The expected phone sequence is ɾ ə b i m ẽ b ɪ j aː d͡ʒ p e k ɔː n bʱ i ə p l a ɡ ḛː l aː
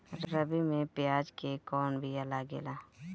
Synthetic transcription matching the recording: ɾ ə b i m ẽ p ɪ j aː d͡ʒ k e k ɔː n bʱ i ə l a ɡ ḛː l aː